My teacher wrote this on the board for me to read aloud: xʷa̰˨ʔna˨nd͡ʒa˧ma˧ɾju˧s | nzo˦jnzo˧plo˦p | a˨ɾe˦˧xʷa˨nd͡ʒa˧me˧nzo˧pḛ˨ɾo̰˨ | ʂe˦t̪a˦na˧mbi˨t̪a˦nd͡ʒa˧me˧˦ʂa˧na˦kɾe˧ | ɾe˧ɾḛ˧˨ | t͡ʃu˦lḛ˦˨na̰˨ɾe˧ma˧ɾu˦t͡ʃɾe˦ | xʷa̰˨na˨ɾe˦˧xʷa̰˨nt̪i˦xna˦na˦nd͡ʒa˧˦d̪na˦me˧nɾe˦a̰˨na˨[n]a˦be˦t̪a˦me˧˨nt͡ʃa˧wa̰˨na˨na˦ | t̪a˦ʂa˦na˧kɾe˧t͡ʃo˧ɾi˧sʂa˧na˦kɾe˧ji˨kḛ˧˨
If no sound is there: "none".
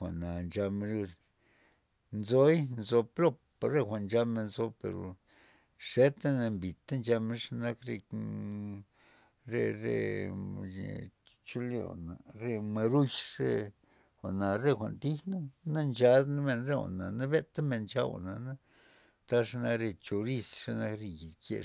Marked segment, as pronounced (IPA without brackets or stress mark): n